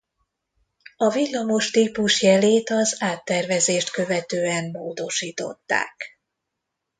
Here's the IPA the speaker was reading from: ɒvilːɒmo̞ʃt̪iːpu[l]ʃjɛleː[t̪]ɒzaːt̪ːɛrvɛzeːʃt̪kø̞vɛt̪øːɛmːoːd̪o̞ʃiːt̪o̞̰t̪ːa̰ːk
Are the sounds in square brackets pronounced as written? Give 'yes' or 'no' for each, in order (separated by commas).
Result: no, yes